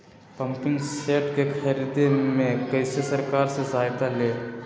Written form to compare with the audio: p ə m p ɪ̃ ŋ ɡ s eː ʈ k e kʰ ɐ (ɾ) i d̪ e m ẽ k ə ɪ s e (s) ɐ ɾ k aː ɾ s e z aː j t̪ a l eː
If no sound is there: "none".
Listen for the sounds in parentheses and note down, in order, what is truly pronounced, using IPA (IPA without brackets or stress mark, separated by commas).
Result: ɾ, s